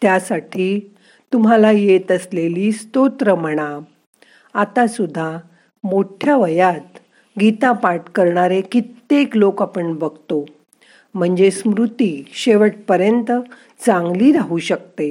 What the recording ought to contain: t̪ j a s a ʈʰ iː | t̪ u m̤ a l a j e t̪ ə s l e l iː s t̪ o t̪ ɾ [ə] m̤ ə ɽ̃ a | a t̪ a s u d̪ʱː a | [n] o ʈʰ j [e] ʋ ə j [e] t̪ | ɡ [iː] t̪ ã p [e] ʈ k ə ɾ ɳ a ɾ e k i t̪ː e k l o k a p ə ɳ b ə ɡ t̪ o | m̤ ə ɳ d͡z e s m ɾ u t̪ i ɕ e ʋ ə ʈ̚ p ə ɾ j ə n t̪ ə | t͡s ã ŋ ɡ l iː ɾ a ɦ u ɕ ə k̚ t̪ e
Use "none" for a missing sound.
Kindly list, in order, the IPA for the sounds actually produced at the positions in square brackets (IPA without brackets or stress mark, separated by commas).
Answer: ə, m, a, a, i, a